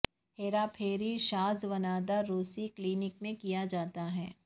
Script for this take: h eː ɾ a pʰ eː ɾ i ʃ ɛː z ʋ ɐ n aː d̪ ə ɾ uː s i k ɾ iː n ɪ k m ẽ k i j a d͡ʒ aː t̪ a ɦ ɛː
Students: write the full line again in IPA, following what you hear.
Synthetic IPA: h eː ɾ a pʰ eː ɾ i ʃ aː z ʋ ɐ n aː d̪ a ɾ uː s i k l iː n ɪ k m ẽ k i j a d͡ʒ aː t̪ a ɦ ɛː